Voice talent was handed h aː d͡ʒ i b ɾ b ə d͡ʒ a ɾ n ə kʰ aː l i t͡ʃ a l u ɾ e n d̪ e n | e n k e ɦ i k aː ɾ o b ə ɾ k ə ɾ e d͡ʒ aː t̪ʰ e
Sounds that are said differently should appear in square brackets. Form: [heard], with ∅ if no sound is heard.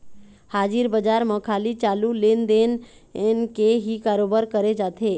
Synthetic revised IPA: h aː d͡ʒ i [∅] ɾ b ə d͡ʒ a ɾ [m] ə kʰ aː l i t͡ʃ a l u [l] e n d̪ e n | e n k e ɦ i k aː ɾ o b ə ɾ k ə ɾ e d͡ʒ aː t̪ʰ e